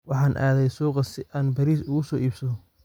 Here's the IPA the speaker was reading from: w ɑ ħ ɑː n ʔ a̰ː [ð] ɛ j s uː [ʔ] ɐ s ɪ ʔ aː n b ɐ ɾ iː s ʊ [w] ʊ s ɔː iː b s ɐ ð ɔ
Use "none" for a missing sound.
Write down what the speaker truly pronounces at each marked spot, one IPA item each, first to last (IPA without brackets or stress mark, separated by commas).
ð, q, ɣ